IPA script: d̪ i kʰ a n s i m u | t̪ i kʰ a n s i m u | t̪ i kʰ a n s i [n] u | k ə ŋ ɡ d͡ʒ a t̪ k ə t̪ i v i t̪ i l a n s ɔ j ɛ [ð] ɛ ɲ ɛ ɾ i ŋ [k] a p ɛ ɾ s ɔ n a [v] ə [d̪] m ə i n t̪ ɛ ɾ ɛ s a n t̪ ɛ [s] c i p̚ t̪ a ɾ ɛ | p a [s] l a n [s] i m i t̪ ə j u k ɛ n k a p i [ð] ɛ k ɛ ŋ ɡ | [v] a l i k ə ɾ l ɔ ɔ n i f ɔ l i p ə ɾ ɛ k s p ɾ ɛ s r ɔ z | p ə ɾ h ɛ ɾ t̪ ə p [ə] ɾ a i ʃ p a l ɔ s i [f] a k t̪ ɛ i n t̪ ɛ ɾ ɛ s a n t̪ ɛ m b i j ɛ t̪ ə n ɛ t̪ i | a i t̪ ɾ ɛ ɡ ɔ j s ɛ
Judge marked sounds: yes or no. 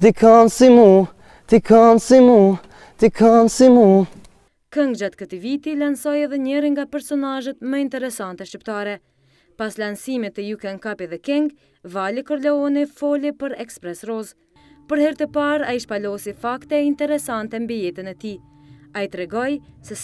no, yes, no, no, no, no, yes, yes, yes, yes, no, yes

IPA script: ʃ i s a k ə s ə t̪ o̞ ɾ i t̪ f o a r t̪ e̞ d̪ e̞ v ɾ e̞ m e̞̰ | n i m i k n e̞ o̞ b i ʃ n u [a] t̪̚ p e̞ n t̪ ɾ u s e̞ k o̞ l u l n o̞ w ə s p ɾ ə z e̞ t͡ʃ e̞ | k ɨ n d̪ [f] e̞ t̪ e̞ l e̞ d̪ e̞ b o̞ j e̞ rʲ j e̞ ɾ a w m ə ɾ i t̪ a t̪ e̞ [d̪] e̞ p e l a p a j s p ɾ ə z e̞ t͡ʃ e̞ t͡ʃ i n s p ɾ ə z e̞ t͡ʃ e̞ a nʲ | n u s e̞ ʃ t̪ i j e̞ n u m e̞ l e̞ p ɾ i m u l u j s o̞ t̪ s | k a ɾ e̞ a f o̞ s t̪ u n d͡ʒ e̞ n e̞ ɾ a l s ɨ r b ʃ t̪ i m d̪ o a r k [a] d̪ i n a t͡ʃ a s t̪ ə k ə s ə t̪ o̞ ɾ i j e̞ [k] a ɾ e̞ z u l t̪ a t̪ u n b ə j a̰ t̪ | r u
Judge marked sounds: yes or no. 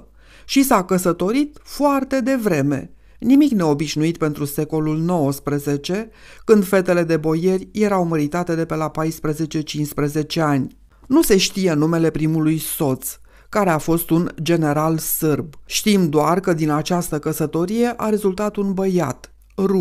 no, yes, yes, no, no

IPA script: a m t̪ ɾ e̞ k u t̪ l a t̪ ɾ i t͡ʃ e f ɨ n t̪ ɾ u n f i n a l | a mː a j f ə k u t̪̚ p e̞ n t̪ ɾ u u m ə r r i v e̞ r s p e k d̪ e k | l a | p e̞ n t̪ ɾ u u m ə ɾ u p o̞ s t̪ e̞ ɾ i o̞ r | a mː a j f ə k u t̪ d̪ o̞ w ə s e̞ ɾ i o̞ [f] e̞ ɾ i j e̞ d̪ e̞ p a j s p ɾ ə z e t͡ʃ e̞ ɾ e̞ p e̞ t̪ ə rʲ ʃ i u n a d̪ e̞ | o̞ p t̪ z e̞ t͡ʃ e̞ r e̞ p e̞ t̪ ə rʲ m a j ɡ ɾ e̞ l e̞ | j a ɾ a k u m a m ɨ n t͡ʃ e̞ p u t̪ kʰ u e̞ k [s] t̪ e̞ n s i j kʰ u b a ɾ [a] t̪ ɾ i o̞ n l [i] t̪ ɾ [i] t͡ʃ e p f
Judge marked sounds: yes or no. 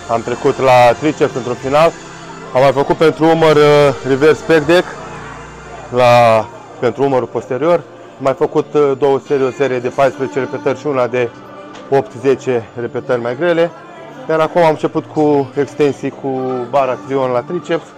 no, yes, yes, no, yes

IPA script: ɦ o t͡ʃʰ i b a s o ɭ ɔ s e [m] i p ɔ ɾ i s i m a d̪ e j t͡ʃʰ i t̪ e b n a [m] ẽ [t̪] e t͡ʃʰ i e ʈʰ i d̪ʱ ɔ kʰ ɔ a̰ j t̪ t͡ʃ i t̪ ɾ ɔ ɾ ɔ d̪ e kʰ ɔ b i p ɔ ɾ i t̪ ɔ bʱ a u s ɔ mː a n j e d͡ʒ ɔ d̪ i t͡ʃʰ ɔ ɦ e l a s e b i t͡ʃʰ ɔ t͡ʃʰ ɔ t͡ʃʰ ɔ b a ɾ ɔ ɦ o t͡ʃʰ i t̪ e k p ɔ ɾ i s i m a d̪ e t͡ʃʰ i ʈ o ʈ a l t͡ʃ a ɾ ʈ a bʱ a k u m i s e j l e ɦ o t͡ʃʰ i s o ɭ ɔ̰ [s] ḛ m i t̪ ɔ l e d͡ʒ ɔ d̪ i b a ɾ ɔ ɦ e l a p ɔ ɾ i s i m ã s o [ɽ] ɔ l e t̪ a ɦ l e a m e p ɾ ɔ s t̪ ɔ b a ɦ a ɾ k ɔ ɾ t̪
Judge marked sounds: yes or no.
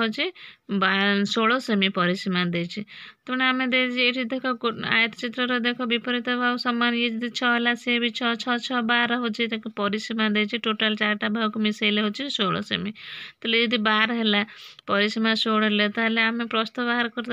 yes, yes, no, yes, yes

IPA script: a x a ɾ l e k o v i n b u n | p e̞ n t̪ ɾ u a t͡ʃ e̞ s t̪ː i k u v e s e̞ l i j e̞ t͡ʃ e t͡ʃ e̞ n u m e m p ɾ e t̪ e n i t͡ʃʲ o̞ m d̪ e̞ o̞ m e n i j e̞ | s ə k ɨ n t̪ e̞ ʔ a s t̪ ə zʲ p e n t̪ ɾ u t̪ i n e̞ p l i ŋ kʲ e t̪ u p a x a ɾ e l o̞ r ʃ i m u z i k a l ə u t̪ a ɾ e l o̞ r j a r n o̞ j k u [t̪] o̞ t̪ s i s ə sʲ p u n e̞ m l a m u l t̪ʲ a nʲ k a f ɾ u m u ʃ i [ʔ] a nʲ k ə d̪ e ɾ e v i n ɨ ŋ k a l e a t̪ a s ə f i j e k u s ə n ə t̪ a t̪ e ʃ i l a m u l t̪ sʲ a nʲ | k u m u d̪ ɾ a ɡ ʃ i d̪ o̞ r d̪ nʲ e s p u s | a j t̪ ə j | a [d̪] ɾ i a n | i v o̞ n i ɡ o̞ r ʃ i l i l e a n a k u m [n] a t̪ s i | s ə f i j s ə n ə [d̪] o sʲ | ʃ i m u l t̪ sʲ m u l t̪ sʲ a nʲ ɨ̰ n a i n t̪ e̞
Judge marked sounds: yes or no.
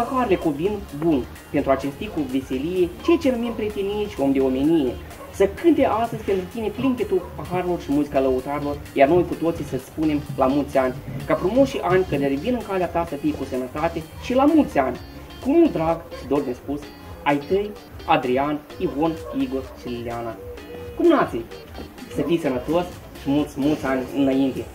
yes, yes, yes, yes, no

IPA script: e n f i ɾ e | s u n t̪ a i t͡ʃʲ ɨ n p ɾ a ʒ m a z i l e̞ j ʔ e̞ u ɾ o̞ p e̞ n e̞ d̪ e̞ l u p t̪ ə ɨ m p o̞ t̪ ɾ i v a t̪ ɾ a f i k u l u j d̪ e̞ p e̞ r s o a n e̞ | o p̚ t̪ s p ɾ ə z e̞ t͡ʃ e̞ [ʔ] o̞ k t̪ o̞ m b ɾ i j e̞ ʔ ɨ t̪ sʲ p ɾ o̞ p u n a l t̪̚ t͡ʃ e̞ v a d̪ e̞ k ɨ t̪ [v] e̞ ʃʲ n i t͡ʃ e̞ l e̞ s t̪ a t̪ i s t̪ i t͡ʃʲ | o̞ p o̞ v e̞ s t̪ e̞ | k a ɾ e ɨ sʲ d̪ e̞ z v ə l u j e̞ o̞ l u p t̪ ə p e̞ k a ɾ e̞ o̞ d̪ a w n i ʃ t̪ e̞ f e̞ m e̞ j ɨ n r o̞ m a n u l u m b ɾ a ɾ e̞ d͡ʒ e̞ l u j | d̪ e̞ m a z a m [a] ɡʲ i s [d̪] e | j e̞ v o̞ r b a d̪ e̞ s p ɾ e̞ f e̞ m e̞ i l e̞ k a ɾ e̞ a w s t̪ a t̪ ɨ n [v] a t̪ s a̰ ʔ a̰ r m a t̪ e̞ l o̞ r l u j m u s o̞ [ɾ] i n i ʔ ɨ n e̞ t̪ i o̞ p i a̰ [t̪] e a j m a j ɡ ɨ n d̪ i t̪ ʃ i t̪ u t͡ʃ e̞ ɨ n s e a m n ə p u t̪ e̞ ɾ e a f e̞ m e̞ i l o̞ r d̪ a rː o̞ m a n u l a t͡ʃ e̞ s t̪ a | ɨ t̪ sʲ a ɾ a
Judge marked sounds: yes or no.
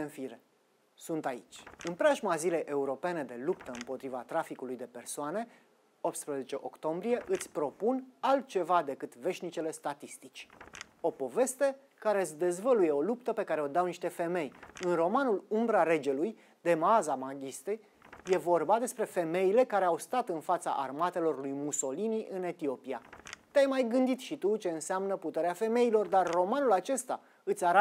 yes, yes, yes, no, no, no, yes

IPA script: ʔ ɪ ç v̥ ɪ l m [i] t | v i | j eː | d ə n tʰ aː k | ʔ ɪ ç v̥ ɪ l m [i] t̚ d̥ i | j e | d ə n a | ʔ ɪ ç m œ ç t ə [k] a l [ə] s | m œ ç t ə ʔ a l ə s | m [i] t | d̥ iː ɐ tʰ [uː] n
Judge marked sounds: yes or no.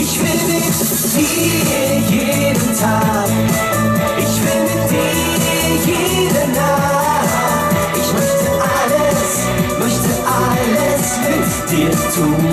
no, no, no, yes, no, yes

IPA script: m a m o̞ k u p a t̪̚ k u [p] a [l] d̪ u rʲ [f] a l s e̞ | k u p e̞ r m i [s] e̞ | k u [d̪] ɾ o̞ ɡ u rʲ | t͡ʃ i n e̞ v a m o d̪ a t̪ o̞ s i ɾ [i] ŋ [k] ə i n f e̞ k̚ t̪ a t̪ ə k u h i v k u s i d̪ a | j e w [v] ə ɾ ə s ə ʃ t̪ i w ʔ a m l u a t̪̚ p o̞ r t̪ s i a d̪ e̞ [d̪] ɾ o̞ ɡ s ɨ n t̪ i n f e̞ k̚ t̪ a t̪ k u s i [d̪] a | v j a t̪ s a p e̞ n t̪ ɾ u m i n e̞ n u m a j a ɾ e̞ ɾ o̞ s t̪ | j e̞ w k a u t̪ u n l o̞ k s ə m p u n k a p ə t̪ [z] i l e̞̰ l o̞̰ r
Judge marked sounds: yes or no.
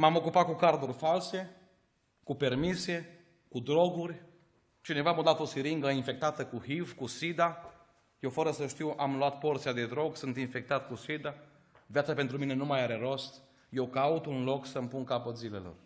no, no, yes, yes, yes, yes, no, no, yes, yes, yes

